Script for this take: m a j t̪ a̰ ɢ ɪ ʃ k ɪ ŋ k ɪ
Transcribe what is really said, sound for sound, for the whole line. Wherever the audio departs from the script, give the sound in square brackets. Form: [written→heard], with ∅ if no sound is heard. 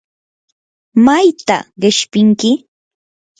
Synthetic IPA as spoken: m a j t̪ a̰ ɢ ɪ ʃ [k→p] ɪ ŋ k ɪ